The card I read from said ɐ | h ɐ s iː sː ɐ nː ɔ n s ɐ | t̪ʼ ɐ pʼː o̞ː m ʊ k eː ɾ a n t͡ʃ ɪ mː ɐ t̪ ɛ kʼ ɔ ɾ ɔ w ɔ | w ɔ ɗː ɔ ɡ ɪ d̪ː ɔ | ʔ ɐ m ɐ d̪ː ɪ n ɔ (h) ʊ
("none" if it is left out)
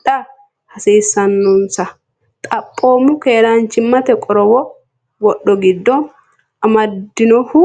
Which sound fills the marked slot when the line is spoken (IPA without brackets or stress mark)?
h